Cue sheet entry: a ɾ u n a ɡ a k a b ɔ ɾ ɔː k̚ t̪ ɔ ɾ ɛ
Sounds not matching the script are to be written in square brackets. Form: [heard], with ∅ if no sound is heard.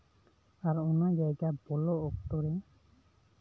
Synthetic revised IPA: a ɾ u n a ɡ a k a b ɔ [l] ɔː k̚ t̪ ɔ ɾ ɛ